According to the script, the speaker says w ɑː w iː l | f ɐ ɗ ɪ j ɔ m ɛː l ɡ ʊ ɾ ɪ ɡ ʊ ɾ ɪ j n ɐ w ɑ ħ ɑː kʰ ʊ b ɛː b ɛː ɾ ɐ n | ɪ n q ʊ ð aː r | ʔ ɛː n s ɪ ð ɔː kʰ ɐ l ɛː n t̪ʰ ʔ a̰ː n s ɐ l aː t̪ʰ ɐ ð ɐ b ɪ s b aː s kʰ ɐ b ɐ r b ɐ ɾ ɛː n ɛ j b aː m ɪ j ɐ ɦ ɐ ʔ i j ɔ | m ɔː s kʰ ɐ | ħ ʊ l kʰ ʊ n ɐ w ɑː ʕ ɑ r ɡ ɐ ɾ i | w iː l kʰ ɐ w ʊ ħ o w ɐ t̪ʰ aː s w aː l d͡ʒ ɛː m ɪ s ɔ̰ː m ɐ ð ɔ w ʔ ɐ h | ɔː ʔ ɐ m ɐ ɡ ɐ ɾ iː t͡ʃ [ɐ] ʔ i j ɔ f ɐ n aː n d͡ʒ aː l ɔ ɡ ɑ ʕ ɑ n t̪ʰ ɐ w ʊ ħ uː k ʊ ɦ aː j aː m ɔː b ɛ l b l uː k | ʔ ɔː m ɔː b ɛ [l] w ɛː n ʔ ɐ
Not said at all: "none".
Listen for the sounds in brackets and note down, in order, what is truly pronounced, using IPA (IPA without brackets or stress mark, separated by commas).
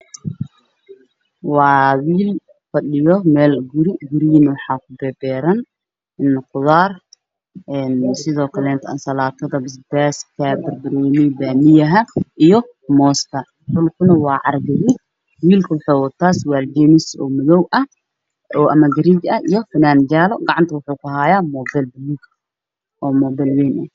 ɐ, l